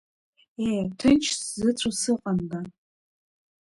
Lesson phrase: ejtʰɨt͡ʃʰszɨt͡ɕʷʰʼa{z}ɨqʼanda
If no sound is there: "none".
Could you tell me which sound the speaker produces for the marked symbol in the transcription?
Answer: s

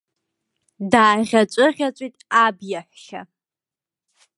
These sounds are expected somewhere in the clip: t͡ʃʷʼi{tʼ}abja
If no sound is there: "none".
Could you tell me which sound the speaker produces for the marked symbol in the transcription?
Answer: tʼ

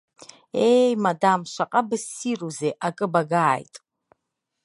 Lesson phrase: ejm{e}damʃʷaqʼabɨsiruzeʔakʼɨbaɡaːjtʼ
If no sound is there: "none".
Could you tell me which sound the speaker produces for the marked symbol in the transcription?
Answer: a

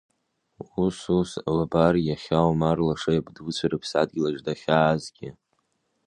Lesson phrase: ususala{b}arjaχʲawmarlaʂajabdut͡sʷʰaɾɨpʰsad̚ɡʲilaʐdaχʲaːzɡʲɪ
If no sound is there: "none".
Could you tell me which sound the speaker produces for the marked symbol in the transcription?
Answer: b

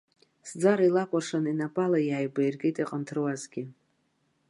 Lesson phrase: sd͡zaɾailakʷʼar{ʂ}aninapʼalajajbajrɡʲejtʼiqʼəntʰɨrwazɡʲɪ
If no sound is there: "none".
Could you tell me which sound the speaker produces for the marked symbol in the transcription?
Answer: ʂ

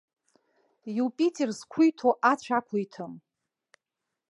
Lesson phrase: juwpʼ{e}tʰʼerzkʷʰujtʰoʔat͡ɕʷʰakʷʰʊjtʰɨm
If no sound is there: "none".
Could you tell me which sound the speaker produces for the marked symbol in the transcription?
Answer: i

